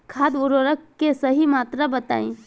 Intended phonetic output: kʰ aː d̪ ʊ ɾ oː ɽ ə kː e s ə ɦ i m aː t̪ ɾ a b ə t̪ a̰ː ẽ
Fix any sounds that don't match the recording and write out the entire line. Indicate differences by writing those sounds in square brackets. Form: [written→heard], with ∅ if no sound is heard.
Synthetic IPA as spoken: kʰ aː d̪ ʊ ɾ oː [ɽ→ɾ] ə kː e s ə ɦ i m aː t̪ ɾ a b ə t̪ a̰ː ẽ